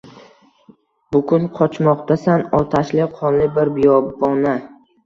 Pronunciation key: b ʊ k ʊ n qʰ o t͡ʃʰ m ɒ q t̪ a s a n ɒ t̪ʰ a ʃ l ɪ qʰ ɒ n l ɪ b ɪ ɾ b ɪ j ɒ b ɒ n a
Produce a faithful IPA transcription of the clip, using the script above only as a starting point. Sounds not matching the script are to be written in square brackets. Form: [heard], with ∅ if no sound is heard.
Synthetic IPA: b ʊ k ʊ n qʰ [ɒ] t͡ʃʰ m ɒ q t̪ a s a n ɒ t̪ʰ a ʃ l ɪ qʰ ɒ n l ɪ b ɪ ɾ b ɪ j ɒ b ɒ n a